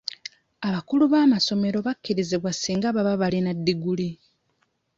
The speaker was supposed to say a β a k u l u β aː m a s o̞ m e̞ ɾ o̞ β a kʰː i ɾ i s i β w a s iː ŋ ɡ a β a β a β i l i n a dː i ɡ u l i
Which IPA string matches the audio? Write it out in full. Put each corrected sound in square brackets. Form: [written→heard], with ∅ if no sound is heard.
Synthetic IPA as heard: a β a k u l u β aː m a s o̞ m e̞ ɾ o̞ β a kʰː i ɾ i [s→z] i β w a s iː ŋ ɡ a β a β a β [i→a] l i n a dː i ɡ u l i